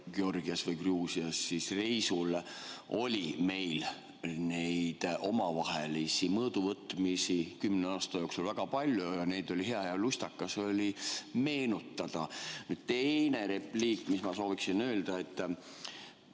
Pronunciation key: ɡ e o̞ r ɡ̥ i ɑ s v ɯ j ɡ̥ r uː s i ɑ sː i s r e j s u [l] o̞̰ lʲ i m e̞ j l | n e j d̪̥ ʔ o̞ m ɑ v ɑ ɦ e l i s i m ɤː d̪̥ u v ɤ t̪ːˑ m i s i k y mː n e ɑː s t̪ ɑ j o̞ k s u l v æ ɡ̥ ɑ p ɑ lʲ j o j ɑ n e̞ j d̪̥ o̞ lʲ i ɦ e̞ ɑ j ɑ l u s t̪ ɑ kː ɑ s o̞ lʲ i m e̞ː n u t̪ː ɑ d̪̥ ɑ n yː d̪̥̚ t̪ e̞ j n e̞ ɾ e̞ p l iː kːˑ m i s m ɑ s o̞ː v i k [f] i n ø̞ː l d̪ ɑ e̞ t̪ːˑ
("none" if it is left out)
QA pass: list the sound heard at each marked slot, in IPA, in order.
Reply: l, s

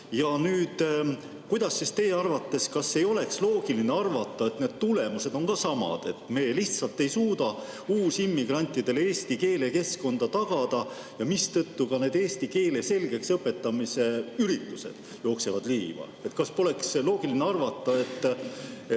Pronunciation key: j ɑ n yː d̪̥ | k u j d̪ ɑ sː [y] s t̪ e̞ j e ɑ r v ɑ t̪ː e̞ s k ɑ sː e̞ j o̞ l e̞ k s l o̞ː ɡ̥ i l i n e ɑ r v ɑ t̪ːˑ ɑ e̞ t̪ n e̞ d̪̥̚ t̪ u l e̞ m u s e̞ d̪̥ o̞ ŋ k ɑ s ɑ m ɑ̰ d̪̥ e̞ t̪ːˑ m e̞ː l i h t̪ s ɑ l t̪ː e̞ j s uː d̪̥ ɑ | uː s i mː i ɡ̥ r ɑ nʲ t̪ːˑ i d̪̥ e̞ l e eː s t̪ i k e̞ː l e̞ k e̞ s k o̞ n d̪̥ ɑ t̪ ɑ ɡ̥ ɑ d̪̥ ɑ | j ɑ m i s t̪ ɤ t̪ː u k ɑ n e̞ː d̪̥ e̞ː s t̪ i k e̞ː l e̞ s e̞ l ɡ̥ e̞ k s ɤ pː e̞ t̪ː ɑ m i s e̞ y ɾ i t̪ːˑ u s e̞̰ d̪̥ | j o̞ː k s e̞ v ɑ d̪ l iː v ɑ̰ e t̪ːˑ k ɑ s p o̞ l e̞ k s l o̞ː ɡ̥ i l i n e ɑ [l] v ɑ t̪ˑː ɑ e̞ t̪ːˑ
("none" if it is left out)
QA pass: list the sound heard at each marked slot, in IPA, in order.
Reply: i, r

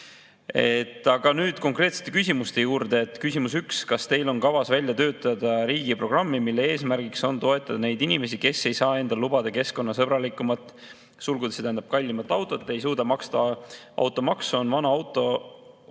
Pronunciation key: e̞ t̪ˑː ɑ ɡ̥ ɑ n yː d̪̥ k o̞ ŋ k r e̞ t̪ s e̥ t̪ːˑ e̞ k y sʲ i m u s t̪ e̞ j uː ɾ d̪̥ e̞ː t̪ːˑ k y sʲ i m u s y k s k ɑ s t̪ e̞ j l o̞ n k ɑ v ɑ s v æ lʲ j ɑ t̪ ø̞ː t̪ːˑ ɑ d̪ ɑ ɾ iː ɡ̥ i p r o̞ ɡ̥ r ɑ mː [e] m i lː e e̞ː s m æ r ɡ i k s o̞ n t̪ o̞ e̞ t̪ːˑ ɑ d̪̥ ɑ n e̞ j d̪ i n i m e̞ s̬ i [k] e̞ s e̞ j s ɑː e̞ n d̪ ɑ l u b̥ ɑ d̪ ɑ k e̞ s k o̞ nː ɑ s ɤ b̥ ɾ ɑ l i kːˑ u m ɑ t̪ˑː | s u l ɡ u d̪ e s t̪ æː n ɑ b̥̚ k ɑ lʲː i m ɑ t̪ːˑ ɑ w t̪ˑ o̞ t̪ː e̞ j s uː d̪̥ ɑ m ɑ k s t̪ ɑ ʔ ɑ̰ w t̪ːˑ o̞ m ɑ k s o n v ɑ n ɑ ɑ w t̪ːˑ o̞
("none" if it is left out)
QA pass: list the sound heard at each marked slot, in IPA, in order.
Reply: i, k

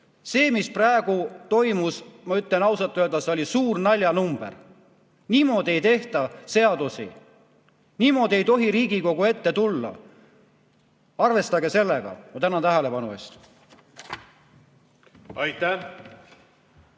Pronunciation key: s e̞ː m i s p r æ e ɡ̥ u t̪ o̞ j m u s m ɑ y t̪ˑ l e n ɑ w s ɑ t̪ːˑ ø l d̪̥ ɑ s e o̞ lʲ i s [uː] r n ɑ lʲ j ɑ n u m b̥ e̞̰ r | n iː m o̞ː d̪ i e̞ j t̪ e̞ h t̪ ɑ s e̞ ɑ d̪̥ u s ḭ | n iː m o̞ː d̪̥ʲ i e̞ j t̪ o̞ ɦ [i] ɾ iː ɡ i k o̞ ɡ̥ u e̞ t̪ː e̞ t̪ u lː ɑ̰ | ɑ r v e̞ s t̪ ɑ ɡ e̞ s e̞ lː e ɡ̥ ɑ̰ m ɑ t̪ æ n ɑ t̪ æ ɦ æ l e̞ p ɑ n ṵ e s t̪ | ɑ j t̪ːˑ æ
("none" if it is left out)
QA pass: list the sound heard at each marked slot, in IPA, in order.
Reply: uː, i

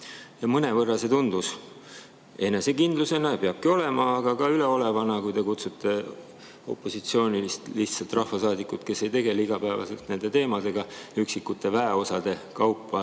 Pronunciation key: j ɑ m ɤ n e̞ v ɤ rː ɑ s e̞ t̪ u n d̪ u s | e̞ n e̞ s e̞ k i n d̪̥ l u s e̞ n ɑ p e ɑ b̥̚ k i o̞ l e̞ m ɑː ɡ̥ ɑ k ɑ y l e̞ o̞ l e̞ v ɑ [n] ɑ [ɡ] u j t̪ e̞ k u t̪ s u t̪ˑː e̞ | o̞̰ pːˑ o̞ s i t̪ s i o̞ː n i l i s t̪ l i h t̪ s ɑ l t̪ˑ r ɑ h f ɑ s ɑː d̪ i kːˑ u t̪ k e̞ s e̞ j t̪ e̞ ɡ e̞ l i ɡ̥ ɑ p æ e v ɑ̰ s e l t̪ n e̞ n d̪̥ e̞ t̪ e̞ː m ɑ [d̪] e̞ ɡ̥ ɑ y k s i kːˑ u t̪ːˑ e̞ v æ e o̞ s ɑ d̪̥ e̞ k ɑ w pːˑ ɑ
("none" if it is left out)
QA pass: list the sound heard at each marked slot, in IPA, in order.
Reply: n, k, d̪

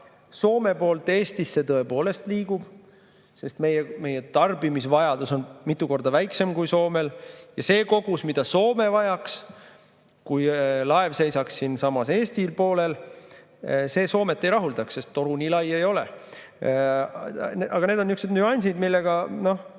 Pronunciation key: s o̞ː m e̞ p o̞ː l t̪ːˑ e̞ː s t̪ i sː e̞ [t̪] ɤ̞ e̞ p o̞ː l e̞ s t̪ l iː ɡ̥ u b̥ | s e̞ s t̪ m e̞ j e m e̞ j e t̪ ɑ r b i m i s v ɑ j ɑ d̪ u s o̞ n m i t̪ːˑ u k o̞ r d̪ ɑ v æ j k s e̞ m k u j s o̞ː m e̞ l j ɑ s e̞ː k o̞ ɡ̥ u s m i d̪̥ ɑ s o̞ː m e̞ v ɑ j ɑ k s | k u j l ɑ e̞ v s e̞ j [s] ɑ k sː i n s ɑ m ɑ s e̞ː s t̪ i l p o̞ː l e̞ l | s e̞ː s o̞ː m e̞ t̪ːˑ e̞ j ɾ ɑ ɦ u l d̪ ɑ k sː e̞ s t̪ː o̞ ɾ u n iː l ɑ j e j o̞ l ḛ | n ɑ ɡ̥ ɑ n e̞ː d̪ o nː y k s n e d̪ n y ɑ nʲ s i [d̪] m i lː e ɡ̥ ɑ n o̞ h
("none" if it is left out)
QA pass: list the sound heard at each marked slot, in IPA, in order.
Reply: t̪, s, d̪

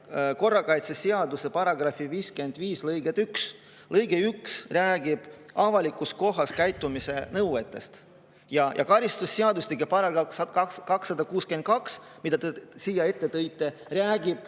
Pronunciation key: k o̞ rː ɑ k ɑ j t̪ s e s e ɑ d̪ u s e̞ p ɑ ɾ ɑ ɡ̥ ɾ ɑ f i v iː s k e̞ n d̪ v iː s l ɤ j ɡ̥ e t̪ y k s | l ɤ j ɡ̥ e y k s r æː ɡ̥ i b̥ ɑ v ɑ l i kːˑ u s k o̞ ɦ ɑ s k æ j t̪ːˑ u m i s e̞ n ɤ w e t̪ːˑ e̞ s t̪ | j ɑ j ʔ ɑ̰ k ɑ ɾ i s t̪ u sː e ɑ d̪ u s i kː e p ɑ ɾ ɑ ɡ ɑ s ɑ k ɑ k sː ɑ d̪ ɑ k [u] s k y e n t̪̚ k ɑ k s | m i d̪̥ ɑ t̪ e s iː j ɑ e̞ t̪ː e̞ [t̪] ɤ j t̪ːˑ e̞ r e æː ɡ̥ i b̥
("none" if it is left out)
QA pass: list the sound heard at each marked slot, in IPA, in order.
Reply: uː, t̪

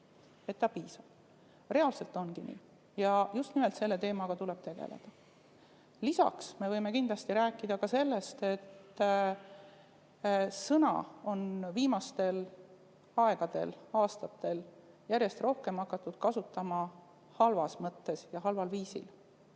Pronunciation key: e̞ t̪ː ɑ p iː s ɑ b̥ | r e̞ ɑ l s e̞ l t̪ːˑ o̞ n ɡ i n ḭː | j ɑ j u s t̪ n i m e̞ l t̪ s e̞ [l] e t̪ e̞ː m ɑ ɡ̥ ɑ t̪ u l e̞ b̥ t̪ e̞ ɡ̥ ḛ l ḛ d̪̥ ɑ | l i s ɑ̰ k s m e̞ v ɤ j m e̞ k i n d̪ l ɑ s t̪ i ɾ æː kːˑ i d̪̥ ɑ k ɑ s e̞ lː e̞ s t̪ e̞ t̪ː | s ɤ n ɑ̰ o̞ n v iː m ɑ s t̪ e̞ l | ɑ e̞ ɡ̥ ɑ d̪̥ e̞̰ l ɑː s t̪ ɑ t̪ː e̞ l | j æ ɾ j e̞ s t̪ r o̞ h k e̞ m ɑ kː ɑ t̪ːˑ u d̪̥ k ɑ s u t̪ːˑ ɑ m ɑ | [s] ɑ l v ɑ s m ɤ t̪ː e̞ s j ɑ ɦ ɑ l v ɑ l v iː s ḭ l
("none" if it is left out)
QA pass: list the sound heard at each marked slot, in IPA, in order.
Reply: lː, h

